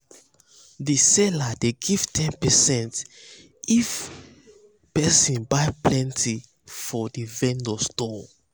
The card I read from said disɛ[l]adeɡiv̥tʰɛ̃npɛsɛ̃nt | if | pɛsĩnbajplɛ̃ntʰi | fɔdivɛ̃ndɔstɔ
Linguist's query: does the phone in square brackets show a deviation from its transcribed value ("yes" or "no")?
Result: no